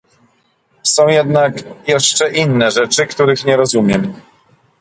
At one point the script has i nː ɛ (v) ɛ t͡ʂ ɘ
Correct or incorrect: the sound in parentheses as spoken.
incorrect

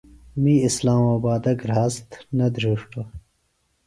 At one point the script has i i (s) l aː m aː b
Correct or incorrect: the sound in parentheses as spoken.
correct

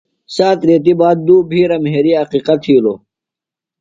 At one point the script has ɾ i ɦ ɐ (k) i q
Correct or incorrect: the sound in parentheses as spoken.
incorrect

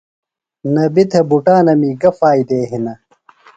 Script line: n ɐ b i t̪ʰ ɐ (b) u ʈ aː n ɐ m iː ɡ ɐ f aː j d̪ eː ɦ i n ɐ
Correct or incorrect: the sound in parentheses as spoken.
correct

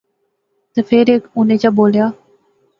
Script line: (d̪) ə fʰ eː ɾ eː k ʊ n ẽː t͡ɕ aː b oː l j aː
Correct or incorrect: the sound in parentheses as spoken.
incorrect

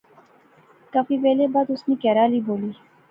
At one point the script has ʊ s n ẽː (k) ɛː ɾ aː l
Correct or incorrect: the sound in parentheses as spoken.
correct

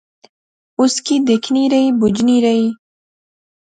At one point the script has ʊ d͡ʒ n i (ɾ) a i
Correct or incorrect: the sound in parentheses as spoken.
correct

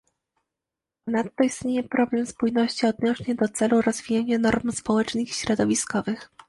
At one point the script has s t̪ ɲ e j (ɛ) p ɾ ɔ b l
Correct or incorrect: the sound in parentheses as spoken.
correct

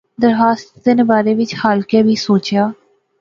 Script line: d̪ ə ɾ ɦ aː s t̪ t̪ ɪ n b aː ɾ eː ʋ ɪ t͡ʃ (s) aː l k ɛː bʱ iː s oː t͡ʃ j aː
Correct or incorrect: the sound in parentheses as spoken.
incorrect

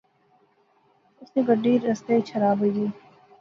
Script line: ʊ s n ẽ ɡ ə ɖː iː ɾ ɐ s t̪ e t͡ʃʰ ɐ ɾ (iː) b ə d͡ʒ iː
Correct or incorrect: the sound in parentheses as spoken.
incorrect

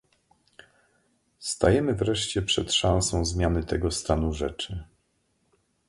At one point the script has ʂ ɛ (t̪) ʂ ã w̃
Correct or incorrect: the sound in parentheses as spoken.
correct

